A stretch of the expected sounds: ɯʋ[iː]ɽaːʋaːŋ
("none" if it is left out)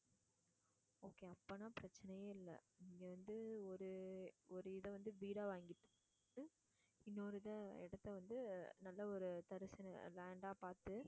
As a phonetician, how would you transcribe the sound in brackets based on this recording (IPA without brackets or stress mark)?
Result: iː